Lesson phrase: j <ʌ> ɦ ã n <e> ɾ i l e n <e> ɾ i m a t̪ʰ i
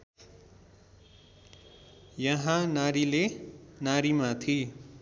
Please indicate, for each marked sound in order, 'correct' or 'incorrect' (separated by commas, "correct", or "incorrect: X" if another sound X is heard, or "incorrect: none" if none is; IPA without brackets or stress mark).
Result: correct, incorrect: a, incorrect: a